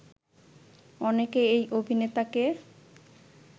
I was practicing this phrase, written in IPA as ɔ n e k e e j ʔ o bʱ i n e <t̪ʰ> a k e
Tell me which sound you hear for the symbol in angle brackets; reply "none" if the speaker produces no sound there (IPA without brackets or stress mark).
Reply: t̪